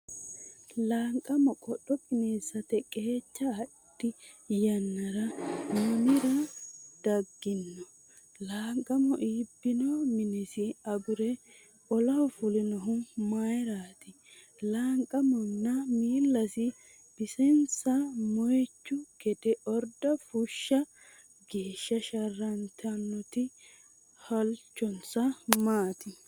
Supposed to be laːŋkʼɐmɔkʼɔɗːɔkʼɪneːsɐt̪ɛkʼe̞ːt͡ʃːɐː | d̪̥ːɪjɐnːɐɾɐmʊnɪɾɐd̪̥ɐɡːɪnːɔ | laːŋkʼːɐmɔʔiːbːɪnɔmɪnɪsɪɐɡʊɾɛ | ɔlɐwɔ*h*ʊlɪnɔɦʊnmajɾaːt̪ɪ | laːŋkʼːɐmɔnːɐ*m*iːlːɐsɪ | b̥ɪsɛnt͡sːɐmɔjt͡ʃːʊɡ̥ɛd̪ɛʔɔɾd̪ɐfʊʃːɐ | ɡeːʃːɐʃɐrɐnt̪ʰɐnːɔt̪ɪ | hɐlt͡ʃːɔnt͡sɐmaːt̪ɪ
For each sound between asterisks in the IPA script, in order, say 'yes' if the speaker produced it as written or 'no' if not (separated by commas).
no, yes